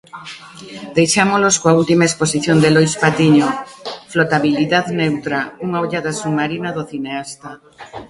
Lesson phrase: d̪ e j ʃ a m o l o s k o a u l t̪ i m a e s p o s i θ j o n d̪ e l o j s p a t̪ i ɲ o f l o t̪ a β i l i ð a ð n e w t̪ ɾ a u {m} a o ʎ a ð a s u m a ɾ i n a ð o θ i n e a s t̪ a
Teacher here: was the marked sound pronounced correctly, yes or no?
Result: no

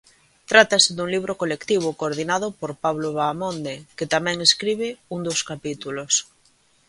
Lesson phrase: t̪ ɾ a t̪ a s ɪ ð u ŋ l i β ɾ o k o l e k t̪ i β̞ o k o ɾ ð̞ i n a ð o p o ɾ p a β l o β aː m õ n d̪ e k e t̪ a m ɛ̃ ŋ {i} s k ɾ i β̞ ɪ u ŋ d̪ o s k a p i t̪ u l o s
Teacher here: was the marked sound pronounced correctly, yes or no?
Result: no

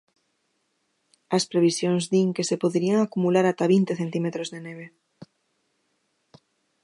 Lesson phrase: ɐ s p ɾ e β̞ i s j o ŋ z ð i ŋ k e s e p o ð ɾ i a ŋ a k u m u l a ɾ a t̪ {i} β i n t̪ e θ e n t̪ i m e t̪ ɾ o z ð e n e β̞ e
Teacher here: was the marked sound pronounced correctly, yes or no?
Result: no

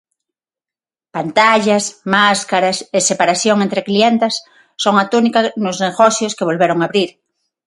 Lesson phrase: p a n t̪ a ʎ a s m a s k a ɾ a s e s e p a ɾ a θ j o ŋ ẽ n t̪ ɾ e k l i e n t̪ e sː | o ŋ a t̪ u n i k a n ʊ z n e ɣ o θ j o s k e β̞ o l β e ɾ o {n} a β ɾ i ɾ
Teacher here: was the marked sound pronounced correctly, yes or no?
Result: no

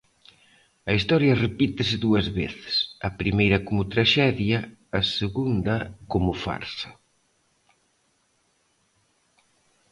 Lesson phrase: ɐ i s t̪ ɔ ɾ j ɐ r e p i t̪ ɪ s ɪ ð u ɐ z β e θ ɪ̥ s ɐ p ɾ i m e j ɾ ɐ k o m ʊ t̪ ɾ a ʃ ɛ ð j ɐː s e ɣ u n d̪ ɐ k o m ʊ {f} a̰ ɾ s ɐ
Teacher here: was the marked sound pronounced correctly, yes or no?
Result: yes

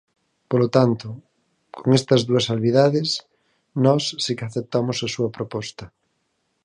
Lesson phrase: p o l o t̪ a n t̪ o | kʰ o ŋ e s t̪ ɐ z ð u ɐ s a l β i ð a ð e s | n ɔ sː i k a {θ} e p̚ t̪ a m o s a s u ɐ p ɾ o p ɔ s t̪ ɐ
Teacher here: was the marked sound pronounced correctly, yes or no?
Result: yes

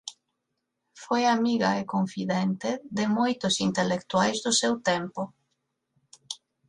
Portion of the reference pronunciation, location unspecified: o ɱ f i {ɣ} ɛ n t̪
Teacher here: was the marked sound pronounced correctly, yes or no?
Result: no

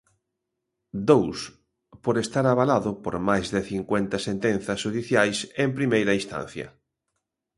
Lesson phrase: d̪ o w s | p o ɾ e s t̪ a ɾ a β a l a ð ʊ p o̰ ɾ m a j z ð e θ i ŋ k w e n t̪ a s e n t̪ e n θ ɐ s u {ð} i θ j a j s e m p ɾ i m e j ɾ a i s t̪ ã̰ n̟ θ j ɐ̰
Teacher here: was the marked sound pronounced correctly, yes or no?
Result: yes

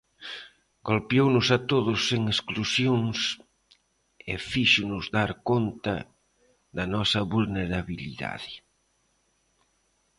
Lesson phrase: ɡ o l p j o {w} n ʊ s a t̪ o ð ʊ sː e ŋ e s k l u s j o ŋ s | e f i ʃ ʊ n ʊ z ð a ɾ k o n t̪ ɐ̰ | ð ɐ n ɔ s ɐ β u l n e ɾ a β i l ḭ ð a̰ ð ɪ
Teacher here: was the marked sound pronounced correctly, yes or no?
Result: yes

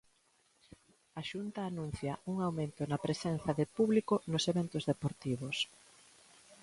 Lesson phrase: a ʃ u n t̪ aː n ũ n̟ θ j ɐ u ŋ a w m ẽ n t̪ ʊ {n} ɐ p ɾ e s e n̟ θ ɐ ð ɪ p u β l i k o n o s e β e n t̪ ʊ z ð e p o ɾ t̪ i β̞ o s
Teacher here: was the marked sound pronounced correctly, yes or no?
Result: yes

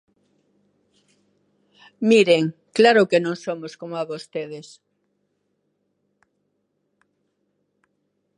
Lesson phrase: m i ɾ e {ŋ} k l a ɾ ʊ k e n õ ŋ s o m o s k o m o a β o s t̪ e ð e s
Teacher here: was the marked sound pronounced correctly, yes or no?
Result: yes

